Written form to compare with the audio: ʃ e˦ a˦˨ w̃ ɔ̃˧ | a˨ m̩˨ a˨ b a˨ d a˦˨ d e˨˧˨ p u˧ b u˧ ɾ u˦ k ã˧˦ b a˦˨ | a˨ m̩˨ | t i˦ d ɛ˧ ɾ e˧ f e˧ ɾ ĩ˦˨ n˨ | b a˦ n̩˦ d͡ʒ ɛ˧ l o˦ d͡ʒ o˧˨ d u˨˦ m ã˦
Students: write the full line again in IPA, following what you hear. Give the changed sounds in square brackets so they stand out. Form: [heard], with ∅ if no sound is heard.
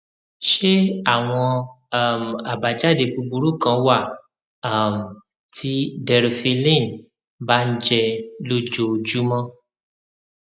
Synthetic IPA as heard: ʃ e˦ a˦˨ w̃ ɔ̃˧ | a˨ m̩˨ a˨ b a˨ [d͡ʒ] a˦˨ d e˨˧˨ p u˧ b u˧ ɾ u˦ k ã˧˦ [w] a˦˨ | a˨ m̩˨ | t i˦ d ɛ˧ ɾ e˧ f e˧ [l] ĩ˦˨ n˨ | b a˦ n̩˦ d͡ʒ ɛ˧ l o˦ d͡ʒ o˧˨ [d͡ʒ] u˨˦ m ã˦